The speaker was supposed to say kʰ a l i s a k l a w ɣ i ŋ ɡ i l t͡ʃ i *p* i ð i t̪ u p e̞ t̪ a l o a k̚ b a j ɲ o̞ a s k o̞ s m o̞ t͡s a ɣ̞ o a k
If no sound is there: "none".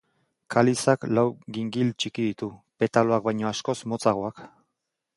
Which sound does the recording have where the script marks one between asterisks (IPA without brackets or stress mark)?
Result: k